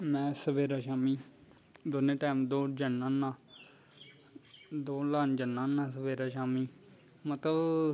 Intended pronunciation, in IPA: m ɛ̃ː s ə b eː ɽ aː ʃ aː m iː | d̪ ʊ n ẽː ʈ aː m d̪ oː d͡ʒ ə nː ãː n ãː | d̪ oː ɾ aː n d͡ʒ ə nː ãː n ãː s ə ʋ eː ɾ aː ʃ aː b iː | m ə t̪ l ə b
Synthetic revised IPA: m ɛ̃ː s ə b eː ɾ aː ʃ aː m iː | d̪ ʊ n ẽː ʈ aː m d̪ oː d͡ʒ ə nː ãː n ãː | d̪ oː l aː n d͡ʒ ə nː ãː n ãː s ə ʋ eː ɾ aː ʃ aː m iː | m ə t̪ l ə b

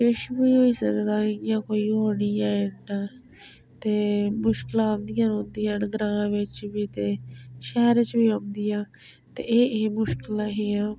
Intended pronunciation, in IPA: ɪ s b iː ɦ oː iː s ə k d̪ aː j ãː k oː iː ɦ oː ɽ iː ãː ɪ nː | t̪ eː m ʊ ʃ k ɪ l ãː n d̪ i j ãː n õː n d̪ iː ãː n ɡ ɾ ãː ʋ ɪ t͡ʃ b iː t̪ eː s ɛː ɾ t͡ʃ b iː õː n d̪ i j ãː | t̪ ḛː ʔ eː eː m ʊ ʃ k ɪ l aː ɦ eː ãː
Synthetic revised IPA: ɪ ʃ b iː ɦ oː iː s ə k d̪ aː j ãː k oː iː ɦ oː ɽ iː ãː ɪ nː | t̪ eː m ʊ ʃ k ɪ l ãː n d̪ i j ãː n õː n d̪ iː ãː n ɡ ɾ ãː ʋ ɪ t͡ʃ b iː t̪ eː ʃ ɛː ɾ t͡ʃ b iː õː n d̪ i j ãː | t̪ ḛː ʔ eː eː m ʊ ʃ k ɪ l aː ɦ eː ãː

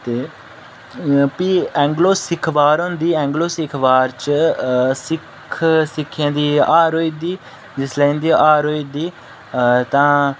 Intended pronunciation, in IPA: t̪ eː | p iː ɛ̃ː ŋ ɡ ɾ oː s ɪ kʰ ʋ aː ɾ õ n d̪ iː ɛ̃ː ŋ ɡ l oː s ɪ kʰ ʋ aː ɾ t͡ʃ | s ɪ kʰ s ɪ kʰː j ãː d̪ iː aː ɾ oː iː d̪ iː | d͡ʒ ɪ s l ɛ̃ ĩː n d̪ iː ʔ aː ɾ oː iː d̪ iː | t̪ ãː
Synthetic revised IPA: t̪ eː | p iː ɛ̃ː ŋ ɡ l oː s ɪ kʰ ʋ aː ɾ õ n d̪ iː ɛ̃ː ŋ ɡ l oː s ɪ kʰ ʋ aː ɾ t͡ʃ | s ɪ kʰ s ɪ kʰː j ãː d̪ iː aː ɾ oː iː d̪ iː | d͡ʒ ɪ s l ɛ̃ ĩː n d̪ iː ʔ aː ɾ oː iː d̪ iː | t̪ ãː

